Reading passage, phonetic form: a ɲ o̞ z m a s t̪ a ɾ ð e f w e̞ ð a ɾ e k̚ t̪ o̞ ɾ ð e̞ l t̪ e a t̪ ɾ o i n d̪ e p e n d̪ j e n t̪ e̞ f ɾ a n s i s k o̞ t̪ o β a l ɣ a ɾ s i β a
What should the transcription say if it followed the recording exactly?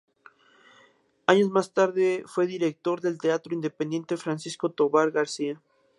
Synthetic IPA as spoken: a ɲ o̞ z m a s t̪ a ɾ ð e f w e̞ ð i ɾ e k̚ t̪ o̞ ɾ ð e̞ l t̪ e a t̪ ɾ o i n d̪ e p e n d̪ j e n t̪ e̞ f ɾ a n s i s k o̞ t̪ o β a ɾ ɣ a ɾ s i a